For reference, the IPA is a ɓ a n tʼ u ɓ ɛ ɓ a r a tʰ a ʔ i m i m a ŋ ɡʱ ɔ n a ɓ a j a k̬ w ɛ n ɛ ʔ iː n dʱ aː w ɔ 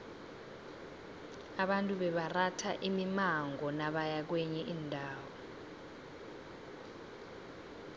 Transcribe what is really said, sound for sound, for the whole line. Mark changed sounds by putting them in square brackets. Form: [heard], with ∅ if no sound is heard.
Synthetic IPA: a ɓ a n tʼ u ɓ ɛ ɓ a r a tʰ a ʔ i m i m a ŋ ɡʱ ɔ n a ɓ a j a k̬ w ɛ [ɲ] ɛ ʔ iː n dʱ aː w ɔ